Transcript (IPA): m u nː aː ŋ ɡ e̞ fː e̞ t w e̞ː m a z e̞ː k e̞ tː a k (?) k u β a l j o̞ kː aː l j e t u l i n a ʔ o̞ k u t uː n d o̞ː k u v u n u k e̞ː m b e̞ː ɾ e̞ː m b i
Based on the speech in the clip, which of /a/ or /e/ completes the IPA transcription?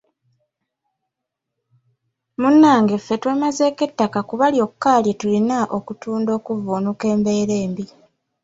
a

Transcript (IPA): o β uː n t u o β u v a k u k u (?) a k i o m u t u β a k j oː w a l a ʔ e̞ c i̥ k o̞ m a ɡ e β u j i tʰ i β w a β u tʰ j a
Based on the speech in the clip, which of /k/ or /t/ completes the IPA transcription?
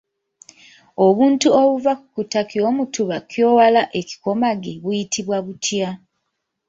t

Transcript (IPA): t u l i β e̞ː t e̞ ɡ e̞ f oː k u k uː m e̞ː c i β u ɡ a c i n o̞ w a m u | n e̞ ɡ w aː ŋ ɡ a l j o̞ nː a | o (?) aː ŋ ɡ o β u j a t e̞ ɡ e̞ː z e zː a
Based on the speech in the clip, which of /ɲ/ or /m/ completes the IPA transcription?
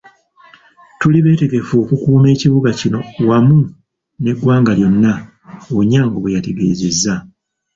ɲ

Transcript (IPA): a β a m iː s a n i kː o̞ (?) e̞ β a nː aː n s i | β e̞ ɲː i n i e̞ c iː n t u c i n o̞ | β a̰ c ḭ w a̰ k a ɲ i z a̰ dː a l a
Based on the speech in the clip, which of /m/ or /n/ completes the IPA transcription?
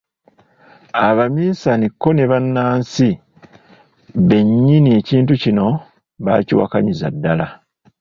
n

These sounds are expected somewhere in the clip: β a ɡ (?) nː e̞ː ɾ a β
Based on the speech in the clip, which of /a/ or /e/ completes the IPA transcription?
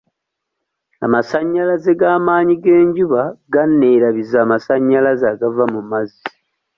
a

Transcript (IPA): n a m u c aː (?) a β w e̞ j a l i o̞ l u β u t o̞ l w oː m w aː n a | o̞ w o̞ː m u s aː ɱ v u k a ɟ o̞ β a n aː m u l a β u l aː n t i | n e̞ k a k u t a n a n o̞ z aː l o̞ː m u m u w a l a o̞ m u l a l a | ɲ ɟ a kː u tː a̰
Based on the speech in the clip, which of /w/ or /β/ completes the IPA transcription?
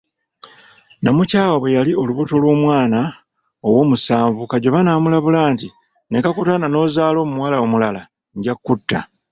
w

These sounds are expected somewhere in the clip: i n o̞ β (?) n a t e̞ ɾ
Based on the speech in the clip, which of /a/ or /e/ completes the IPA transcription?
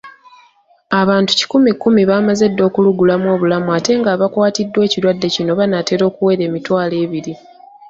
a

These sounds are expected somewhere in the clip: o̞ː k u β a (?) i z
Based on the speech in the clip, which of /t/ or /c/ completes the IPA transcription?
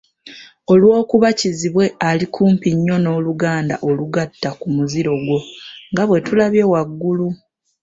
c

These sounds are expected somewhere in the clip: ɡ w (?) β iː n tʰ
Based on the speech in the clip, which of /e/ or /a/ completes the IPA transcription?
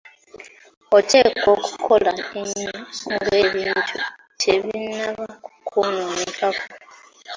e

